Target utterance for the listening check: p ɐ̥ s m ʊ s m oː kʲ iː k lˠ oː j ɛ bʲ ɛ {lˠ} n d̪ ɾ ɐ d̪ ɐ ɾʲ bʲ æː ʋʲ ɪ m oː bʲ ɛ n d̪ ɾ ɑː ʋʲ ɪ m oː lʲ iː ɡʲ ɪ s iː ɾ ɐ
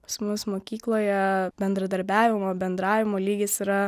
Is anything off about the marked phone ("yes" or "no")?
yes